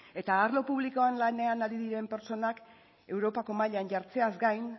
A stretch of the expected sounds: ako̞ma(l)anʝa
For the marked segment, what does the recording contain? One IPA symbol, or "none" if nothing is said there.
ʎ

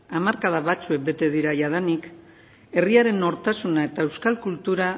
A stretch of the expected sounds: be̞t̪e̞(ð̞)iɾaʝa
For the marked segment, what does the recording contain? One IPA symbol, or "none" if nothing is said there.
ð̞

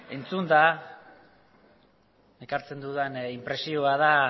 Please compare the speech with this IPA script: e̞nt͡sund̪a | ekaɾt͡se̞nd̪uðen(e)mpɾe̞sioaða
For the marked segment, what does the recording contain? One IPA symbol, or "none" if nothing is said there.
i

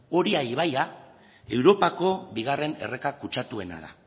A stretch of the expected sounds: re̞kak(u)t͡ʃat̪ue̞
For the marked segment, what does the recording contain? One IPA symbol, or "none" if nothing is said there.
u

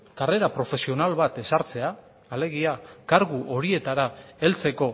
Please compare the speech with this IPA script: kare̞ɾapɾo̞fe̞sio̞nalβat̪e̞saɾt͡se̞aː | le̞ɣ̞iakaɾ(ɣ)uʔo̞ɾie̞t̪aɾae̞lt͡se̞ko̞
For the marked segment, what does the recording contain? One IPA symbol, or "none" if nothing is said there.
ɣ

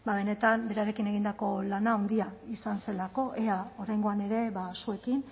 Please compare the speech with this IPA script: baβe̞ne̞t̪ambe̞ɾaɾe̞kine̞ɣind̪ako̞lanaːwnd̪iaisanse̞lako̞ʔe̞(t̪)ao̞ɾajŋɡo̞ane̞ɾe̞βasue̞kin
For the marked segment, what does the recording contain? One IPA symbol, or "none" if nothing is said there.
none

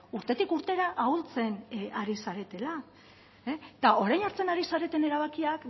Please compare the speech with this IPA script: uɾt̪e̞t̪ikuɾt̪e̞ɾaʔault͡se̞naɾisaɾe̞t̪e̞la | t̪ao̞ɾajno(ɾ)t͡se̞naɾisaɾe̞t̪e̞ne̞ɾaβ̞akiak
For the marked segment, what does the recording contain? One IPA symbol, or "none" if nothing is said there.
ɾ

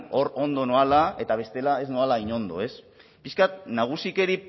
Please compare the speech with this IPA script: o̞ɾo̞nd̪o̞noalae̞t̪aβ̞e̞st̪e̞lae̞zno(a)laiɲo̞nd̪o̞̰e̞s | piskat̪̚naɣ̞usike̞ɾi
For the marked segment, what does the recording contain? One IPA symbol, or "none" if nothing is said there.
a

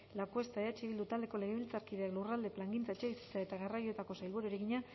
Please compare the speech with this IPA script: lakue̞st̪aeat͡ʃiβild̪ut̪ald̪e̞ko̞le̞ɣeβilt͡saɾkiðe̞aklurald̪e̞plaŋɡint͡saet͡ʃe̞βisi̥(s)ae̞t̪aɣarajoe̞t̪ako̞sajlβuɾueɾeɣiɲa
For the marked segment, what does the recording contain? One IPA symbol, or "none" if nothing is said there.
t͡s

